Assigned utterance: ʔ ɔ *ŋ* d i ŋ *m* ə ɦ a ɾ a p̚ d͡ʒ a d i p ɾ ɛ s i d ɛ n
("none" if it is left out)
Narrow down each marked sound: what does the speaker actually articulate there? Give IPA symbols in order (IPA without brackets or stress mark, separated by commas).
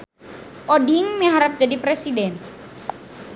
none, m